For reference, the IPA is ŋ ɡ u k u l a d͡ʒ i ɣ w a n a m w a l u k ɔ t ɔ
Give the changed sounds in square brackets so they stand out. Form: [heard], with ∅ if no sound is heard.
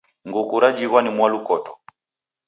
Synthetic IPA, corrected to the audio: ŋ ɡ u k u [ɾ] a d͡ʒ i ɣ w a n [i] m w a l u k ɔ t ɔ